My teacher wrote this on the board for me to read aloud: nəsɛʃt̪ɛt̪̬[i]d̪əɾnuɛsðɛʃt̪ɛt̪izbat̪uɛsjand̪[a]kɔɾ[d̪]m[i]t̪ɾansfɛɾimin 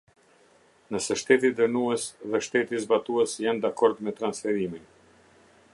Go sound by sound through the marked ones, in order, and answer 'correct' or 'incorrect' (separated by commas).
correct, correct, correct, incorrect